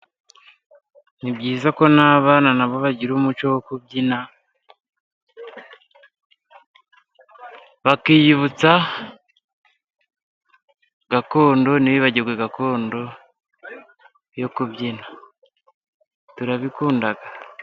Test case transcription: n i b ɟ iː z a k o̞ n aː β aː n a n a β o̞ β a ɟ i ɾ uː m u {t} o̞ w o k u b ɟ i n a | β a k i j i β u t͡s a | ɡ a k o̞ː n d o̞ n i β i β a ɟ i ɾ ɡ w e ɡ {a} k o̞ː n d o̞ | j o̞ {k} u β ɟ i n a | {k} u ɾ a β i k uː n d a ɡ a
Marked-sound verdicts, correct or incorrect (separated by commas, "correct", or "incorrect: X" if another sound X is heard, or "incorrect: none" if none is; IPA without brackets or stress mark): incorrect: t͡ʃ, correct, correct, incorrect: t